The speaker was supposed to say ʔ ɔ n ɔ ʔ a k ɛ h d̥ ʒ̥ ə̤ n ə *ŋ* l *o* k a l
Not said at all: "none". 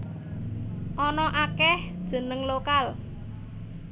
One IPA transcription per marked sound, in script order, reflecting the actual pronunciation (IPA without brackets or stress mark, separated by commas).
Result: ŋ, o